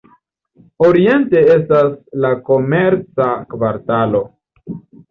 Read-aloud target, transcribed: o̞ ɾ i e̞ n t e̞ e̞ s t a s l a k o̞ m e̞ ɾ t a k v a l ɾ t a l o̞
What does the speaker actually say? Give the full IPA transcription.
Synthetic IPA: o̞ ɾ i e̞ n t e̞ e̞ s t a s l a k o̞ m e̞ ɾ t͡s a k v a ɾ t a l o̞